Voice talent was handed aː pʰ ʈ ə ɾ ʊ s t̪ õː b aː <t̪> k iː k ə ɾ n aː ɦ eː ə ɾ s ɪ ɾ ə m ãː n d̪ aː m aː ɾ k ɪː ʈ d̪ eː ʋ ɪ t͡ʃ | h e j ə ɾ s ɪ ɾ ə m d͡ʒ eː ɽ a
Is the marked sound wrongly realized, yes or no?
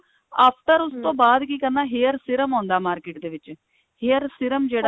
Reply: yes